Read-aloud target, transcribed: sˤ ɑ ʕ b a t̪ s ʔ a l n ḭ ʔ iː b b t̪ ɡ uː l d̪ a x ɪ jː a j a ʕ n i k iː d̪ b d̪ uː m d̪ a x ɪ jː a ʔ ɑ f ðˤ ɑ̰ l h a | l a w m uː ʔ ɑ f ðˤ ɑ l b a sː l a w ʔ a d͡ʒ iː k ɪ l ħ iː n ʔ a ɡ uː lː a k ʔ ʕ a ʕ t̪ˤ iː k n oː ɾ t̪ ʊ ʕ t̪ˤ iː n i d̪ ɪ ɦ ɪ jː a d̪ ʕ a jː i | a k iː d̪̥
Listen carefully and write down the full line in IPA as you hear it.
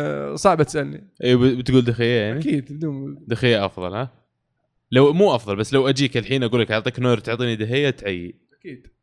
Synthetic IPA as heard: sˤ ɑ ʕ b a t̪ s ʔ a l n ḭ ʔ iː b b t̪ ɡ uː l d̪ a x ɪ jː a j a ʕ n i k iː d̪ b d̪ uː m d̪ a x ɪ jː a ʔ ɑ f ðˤ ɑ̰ l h a | l a w m uː ʔ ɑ f ðˤ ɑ l b a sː l a w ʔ a d͡ʒ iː k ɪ l ħ iː n ʔ a ɡ uː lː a k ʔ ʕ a ʕ t̪ˤ iː k n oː ɾ t̪ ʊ ʕ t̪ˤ iː n i d̪ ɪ ɦ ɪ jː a t̪ ʕ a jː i | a k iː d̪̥